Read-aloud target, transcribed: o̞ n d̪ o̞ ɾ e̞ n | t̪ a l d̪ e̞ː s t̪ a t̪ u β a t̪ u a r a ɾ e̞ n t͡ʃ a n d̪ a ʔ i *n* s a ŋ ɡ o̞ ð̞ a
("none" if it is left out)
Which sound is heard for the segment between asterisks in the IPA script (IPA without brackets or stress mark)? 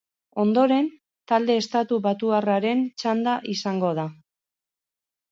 none